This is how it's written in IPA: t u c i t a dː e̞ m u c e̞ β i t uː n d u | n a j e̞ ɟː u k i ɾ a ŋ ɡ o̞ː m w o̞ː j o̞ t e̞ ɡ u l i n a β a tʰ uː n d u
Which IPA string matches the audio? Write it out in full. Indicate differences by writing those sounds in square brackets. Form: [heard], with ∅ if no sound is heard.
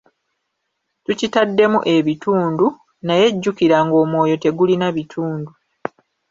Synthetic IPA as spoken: t u c i t a dː e̞ m u [ʔ] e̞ β i t uː n d u | n a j e̞ ɟː u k i ɾ a ŋ ɡ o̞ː m w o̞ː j o̞ t e̞ ɡ u l i n a β [i] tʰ uː n d u